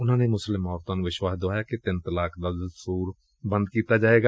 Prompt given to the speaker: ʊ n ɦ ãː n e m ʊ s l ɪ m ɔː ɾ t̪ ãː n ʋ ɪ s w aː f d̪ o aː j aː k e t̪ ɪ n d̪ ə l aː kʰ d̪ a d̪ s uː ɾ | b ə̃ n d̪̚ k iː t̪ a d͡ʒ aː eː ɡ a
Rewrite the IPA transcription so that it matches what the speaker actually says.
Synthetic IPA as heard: ʊ n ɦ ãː n e m ʊ s l ɪ m ɔː ɾ t̪ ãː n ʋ ɪ ʃ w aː s d̪ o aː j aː k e t̪ ɪ n t̪ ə l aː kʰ d̪ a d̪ s uː ɾ | b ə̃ n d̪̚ k iː t̪ a d͡ʒ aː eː ɡ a